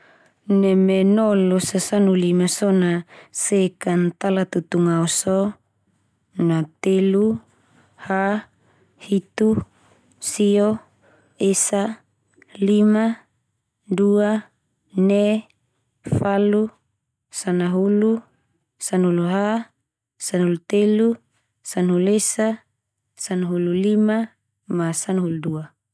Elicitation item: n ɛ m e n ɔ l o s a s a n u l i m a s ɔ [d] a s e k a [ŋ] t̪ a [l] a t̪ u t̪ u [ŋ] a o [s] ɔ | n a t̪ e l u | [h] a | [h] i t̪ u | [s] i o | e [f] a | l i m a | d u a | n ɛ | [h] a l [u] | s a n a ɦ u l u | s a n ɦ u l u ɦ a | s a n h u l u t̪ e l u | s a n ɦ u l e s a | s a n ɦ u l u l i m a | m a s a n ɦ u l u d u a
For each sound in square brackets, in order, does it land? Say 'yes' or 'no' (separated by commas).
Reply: no, no, yes, yes, yes, yes, yes, yes, no, no, yes